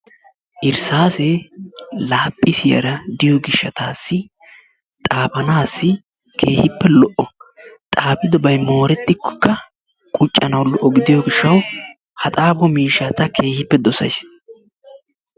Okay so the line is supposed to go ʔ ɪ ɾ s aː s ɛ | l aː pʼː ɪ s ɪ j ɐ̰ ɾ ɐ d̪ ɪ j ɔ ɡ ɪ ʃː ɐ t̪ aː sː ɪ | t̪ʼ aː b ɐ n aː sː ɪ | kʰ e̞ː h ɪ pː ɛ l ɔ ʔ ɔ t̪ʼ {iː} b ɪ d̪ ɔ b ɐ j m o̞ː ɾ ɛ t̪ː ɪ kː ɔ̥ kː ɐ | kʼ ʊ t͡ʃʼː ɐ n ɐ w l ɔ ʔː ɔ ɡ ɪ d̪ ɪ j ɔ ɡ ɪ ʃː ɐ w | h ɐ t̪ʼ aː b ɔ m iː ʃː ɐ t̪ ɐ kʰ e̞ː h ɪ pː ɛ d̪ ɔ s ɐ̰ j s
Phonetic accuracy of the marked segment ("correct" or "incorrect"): incorrect